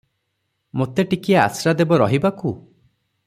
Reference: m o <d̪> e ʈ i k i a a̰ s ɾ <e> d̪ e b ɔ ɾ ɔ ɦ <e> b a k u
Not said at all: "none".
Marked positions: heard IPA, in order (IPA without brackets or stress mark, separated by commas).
t̪, a, i